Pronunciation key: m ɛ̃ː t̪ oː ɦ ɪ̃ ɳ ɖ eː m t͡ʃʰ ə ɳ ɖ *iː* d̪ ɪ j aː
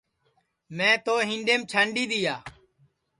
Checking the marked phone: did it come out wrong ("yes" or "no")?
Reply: no